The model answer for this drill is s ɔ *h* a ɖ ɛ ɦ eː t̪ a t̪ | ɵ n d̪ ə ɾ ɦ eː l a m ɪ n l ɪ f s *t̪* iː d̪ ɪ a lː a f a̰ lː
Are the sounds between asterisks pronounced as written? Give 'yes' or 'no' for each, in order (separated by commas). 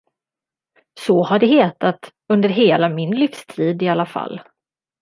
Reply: yes, no